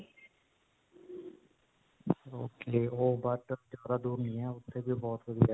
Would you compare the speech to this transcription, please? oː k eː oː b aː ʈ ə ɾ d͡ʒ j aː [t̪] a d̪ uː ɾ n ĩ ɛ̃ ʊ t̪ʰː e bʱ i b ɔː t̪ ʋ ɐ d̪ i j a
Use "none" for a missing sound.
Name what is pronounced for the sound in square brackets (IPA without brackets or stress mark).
d̪